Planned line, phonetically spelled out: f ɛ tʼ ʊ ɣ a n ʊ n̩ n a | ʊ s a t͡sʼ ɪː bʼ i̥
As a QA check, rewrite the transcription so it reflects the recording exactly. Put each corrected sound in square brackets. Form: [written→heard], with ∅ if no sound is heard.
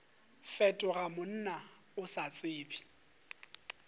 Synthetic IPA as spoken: f ɛ tʼ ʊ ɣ a [n→m] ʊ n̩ n a | ʊ s a t͡sʼ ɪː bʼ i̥